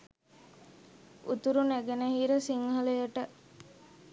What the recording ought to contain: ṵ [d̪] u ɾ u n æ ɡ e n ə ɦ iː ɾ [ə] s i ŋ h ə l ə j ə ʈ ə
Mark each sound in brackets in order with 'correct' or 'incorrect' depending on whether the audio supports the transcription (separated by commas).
incorrect, correct